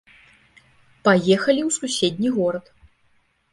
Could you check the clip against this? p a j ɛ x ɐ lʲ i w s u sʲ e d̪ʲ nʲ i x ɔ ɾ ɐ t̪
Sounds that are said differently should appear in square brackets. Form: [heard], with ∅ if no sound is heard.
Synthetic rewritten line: p a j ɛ x ɐ lʲ i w s u sʲ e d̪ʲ nʲ i [ɣ] ɔ ɾ ɐ t̪